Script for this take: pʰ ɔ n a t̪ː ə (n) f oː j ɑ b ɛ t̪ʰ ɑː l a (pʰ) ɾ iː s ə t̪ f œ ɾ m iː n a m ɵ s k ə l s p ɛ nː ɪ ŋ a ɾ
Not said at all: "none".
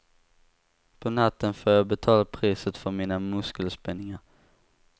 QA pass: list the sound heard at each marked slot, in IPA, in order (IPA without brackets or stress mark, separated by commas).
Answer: n, pʰ